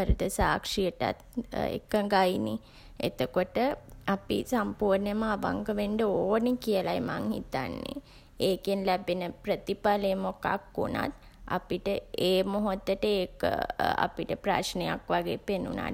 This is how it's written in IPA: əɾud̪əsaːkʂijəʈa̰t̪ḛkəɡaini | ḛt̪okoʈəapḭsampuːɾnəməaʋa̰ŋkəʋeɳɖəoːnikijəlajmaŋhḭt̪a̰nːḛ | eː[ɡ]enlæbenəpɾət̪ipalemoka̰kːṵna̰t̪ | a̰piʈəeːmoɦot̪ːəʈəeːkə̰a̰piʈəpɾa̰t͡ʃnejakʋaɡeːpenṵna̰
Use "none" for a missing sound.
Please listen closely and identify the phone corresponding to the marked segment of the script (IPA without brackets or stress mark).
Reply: k